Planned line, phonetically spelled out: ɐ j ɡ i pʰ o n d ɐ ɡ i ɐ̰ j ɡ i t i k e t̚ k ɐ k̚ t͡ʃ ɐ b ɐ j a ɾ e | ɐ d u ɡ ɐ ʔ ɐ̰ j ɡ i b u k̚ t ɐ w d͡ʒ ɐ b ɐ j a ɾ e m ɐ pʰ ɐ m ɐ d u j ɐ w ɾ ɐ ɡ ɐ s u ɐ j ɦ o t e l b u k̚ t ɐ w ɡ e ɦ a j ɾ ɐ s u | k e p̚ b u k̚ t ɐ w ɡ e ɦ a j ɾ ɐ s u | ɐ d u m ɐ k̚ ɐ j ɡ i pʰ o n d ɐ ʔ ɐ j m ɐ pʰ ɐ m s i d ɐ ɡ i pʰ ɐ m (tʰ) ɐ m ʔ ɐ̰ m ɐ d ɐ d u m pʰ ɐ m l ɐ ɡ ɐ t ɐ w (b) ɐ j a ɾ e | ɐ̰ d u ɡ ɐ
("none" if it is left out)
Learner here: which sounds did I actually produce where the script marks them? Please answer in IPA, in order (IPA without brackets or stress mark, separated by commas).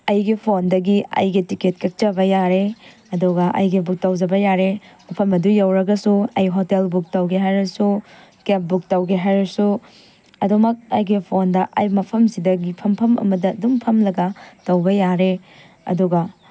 pʰ, ɡ